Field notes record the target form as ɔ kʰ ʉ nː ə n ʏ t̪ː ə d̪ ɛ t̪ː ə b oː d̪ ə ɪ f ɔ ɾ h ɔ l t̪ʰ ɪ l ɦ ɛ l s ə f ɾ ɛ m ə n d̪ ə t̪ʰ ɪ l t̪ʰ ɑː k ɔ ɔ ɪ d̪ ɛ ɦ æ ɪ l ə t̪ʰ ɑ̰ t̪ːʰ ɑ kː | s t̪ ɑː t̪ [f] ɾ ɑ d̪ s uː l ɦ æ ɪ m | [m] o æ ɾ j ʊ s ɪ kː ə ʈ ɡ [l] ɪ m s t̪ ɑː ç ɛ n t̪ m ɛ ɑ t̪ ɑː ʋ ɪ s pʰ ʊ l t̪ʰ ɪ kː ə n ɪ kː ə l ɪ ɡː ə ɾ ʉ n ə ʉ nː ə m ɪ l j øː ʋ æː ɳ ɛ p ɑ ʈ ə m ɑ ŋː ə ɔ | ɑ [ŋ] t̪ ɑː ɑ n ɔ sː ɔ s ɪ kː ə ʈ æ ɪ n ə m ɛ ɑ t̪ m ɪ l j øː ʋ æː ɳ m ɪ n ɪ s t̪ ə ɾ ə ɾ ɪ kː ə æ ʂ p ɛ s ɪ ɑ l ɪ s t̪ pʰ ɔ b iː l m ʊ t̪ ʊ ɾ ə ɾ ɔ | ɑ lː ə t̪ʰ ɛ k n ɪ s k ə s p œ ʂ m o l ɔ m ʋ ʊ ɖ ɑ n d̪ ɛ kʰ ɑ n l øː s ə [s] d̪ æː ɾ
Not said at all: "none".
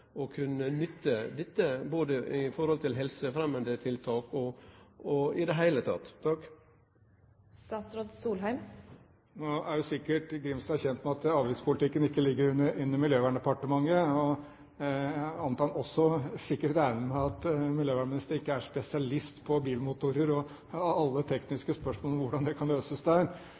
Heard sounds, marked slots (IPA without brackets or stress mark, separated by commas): s, n, ɾ, n, s